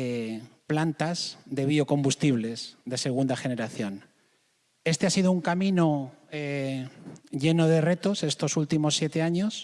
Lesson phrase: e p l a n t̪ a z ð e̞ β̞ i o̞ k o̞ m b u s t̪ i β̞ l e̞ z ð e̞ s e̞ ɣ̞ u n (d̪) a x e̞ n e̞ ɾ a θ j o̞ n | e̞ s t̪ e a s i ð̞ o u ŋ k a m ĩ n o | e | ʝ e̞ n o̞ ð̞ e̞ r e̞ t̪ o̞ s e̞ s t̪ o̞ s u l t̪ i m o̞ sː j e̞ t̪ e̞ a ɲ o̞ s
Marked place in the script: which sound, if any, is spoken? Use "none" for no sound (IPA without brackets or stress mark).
d̪